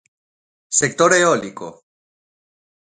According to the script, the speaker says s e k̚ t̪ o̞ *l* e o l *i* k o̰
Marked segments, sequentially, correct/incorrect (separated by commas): incorrect, correct